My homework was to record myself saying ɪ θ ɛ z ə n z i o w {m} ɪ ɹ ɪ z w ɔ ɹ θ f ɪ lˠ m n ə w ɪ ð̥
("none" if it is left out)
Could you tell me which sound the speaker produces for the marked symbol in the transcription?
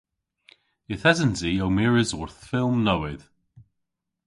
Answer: m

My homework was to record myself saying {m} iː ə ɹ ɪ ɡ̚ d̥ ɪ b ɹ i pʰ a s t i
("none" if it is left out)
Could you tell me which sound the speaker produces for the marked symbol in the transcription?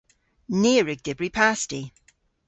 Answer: n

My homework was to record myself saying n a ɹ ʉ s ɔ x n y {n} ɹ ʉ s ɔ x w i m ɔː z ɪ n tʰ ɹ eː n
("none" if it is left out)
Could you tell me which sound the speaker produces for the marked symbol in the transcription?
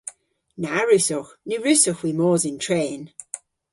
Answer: none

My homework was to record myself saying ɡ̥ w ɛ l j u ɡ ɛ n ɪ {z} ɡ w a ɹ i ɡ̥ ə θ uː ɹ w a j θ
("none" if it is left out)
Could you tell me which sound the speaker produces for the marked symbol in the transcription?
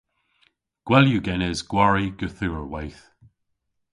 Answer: z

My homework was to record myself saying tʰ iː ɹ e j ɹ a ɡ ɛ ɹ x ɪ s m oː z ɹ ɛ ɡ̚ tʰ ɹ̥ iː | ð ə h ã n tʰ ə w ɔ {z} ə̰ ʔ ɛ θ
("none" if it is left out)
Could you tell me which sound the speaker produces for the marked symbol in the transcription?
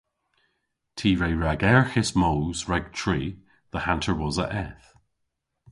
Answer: z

